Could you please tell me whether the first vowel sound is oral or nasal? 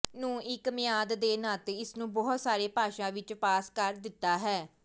nasal